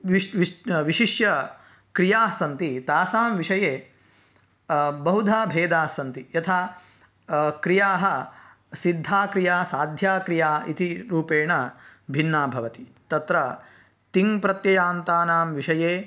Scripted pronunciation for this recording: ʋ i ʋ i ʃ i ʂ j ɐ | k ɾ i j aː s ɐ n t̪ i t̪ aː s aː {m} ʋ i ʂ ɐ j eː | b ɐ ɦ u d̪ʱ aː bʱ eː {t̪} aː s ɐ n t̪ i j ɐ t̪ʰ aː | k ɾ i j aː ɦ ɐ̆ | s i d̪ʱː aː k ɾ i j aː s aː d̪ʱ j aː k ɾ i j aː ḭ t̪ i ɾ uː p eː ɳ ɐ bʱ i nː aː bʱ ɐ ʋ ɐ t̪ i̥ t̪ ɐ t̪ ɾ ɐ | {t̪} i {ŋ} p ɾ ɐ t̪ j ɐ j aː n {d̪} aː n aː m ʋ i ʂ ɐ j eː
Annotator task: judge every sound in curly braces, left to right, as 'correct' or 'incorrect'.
correct, incorrect: d̪, correct, correct, incorrect: t̪

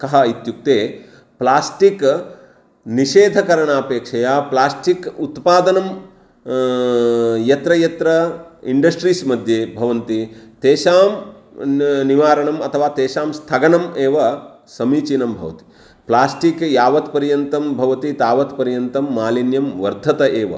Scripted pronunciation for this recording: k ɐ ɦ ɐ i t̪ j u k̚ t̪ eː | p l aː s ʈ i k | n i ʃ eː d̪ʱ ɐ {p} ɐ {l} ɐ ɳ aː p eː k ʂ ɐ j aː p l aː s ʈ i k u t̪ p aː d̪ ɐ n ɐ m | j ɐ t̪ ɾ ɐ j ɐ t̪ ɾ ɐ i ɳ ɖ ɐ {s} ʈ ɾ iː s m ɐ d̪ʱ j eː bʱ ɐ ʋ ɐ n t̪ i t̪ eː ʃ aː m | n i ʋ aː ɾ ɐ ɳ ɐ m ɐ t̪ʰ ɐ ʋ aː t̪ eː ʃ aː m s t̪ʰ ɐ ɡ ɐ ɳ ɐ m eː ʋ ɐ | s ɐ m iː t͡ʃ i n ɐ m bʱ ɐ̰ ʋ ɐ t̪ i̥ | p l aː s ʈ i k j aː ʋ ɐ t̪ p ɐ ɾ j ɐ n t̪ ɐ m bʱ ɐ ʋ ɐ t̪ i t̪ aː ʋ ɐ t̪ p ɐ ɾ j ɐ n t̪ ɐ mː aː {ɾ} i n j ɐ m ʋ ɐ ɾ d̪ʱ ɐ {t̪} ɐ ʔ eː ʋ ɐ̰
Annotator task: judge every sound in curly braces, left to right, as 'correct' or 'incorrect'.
incorrect: k, incorrect: ɾ, correct, incorrect: l, correct

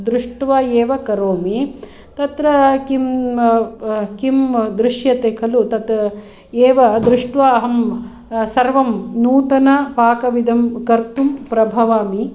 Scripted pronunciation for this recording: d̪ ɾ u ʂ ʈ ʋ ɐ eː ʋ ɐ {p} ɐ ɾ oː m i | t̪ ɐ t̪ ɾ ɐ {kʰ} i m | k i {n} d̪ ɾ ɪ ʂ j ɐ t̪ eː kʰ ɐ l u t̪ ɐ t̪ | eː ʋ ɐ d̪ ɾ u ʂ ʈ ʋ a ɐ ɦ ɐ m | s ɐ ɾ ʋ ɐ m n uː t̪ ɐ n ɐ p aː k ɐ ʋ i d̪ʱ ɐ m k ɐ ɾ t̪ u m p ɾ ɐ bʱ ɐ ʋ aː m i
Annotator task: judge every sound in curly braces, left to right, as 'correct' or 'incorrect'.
incorrect: k, incorrect: k, incorrect: m

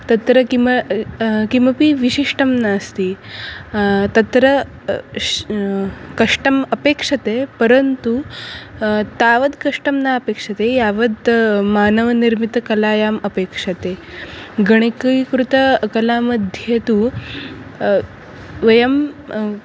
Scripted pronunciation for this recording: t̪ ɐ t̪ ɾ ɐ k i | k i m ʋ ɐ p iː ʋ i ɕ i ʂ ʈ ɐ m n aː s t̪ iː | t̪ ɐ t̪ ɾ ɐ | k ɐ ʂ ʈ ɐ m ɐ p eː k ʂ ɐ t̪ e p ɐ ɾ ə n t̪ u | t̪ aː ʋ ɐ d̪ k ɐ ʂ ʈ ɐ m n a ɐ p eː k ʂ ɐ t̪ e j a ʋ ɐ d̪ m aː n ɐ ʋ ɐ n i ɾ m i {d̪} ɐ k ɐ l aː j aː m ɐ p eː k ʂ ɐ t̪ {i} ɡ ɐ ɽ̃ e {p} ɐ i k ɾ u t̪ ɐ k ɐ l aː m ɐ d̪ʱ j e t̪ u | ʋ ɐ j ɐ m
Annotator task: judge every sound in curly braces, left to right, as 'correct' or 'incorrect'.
incorrect: t̪, incorrect: e, incorrect: k

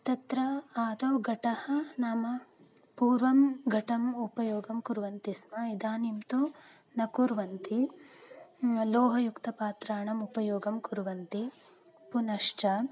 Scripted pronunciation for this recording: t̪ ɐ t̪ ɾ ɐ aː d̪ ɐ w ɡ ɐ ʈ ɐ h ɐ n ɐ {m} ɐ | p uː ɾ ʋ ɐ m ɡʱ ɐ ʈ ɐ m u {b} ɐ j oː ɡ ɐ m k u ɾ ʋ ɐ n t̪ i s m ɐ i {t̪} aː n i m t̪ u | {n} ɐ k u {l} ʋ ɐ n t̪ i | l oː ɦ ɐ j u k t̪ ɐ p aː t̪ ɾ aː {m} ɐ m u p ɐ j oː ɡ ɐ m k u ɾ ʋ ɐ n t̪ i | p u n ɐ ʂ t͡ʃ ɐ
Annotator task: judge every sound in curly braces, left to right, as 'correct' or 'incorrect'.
correct, incorrect: p, incorrect: d̪, correct, incorrect: ɾ, incorrect: ɳ

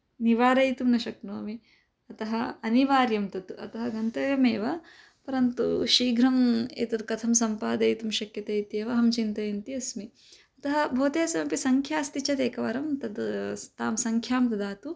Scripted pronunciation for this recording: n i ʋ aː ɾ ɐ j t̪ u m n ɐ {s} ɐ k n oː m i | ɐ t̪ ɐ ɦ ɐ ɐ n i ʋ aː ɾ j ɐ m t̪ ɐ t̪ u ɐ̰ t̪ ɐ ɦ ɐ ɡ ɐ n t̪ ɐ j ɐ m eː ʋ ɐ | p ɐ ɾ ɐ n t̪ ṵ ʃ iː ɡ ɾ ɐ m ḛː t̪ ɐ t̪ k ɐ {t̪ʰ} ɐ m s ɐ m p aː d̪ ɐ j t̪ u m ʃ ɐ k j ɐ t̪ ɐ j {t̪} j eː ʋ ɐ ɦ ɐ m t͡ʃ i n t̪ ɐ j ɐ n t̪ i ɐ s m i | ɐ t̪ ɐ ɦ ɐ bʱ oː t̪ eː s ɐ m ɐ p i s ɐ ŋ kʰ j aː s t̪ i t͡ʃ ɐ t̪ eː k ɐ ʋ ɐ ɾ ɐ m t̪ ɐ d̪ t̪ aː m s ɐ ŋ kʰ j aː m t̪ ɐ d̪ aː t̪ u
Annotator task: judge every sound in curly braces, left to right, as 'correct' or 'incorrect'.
incorrect: ʃ, correct, correct

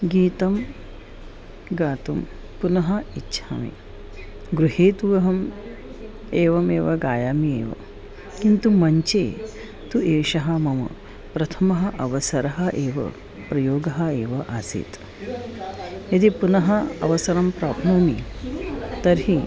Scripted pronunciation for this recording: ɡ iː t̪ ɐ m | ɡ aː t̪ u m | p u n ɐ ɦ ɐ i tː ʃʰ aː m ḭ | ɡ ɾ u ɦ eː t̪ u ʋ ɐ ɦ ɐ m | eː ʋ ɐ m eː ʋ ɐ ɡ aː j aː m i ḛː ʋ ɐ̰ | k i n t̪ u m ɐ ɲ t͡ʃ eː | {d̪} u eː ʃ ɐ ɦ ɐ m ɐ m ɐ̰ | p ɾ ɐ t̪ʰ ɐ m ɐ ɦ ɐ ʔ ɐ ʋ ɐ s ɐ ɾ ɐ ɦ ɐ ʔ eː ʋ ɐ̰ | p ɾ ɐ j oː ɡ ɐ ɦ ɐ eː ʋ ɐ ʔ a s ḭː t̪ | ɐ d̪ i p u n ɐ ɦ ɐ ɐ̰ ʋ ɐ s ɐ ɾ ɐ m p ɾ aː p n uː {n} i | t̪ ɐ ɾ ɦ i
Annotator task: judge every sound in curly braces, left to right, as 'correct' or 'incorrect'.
incorrect: t̪, incorrect: m

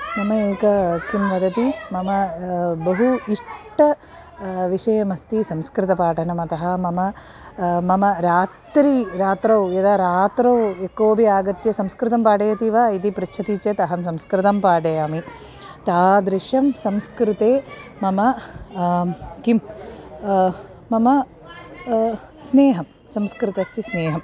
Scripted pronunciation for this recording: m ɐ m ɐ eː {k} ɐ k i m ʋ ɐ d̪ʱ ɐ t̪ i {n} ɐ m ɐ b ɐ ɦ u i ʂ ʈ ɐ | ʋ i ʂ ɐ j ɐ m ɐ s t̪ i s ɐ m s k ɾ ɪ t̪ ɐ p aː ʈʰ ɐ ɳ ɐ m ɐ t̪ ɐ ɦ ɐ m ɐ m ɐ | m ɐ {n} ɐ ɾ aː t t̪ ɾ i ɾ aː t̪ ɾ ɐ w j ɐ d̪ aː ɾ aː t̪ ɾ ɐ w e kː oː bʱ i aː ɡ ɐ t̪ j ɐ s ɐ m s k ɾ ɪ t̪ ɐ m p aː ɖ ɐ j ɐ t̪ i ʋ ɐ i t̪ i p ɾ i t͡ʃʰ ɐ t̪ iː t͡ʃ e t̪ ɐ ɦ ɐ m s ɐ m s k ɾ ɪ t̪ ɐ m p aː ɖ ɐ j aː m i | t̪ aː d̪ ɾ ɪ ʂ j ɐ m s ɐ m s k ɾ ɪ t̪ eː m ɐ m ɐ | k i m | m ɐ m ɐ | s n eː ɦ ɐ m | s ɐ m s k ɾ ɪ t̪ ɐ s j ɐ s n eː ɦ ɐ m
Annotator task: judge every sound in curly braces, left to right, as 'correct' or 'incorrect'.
correct, incorrect: m, incorrect: m

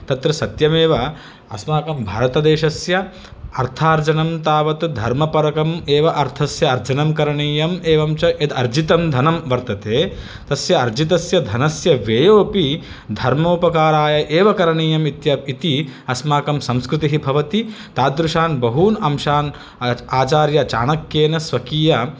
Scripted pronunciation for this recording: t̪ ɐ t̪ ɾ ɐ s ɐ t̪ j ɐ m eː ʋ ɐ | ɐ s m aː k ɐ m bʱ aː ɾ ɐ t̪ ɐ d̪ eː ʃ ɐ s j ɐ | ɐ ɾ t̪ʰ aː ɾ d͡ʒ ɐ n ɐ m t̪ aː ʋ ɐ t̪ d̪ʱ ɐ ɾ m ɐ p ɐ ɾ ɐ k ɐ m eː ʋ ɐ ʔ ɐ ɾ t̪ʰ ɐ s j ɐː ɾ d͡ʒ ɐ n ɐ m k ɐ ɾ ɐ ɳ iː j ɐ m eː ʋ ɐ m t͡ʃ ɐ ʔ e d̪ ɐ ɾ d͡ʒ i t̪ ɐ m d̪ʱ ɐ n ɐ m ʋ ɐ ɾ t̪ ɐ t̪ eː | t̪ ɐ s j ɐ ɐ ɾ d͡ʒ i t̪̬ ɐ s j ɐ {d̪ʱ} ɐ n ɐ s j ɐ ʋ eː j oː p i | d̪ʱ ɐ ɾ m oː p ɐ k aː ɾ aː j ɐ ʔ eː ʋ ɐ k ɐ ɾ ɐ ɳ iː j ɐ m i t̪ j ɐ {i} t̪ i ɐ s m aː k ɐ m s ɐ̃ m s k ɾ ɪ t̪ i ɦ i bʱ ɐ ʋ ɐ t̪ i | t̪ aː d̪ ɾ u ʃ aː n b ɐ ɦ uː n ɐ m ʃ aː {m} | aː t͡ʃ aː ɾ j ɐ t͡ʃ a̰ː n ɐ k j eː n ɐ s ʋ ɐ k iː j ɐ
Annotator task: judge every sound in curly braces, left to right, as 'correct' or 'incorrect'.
correct, correct, incorrect: n

